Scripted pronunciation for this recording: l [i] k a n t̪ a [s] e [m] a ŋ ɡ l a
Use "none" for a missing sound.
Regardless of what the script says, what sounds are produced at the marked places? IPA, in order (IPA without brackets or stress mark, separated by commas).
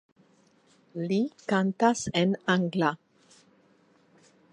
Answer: i, s, n